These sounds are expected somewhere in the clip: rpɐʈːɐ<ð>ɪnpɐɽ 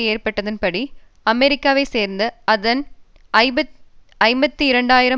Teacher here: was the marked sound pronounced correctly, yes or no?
yes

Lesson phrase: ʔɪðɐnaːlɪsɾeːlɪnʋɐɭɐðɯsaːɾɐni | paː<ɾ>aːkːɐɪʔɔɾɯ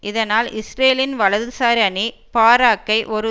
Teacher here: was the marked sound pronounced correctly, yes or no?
yes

